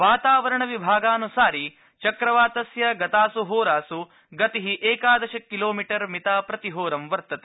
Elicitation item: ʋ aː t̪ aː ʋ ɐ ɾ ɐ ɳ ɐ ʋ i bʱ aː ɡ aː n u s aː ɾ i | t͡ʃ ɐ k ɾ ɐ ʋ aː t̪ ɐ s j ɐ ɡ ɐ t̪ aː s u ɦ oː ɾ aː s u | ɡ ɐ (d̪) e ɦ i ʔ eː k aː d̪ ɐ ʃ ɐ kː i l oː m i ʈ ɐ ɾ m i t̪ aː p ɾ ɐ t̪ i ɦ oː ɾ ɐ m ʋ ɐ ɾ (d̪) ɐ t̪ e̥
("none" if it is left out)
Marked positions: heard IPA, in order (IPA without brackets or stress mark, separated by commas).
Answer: t̪, t̪